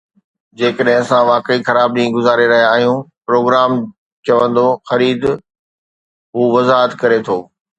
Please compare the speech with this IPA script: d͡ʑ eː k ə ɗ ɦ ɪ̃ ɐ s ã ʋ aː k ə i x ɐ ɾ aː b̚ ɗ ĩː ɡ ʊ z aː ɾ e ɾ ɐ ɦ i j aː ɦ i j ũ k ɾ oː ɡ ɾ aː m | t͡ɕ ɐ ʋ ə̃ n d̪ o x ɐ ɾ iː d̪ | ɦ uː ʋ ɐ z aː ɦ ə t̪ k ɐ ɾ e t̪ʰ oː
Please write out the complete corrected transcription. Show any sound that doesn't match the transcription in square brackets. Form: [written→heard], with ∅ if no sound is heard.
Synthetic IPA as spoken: d͡ʑ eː k ə ɗ ɦ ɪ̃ ɐ s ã ʋ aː k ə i x ɐ ɾ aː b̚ ɗ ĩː ɡ ʊ z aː ɾ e ɾ ɐ ɦ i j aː ɦ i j ũ [k→p] ɾ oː ɡ ɾ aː m | t͡ɕ ɐ ʋ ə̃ n d̪ o x ɐ ɾ iː d̪ | ɦ uː ʋ ɐ z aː ɦ ə t̪ k ɐ ɾ e t̪ʰ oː